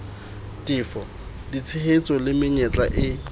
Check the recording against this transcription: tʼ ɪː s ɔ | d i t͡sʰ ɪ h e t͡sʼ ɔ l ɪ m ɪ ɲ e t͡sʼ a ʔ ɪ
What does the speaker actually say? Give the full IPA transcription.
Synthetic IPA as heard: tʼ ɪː f ɔ | d i t͡sʰ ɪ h e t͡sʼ ɔ l ɪ m ɪ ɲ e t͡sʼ a ʔ ɪ

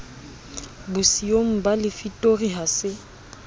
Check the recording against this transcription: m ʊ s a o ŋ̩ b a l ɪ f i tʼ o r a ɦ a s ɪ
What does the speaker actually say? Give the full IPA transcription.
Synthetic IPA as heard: b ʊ s i o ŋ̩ b a l ɪ f i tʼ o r i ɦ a s ɪ

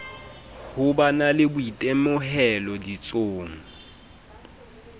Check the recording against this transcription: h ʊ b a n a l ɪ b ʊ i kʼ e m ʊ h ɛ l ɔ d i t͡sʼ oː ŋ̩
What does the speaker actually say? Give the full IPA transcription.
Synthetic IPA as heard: h ʊ b a n a l ɪ b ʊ i tʼ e m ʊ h ɛ l ɔ d i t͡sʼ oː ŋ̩

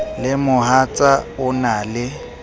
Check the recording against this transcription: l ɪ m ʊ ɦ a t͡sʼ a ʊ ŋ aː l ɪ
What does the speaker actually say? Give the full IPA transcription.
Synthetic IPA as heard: l ɪ m ʊ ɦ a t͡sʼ a ʊ n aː l ɪ

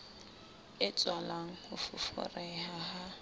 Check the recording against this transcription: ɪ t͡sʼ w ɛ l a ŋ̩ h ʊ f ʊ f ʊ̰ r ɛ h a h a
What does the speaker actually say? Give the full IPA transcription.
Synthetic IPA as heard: ɪ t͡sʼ w a l a ŋ̩ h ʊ f ʊ f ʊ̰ r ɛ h a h a

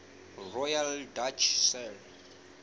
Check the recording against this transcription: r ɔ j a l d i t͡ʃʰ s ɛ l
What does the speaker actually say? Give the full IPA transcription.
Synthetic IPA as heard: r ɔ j a l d a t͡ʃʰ s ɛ l

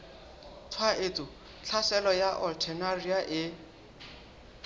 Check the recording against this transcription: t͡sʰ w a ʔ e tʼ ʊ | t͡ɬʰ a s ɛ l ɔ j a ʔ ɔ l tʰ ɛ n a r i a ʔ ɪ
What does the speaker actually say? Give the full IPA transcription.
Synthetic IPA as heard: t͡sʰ w a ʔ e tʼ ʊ | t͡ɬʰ a s ɛ l ɔ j a ʔ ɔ l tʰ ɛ n a r i a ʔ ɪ

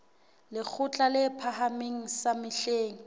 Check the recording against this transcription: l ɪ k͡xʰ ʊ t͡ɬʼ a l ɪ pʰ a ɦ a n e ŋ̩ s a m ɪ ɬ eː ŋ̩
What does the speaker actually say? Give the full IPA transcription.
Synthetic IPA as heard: l ɪ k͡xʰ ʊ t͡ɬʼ a l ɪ pʰ a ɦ a m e ŋ̩ s a m ɪ ɬ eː ŋ̩

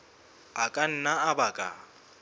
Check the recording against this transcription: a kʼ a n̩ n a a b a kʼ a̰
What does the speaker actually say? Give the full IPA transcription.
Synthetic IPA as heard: a kʼ a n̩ n a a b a kʼ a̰

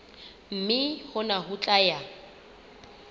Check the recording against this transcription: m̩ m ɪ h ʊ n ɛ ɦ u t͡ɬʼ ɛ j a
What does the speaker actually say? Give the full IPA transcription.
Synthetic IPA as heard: m̩ m ɪ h ʊ n a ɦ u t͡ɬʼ a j a

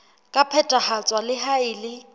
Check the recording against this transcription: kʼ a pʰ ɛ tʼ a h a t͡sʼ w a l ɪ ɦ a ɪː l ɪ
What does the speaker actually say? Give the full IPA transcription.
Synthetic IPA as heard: kʼ a pʰ ɛ tʼ a h a t͡sʼ w a l ɪ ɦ a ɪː l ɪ

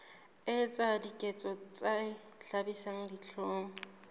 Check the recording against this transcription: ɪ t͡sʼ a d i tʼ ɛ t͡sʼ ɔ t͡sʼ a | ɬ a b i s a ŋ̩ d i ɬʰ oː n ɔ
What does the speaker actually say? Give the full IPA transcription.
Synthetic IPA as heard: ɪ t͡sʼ a d i kʼ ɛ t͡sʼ ɔ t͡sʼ a | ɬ a b i s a ŋ̩ d i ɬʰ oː ŋ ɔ

